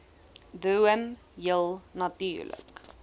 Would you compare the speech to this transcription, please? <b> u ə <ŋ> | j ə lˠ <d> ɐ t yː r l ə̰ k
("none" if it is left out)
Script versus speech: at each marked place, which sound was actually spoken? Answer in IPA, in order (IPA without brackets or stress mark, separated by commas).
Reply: d, m, n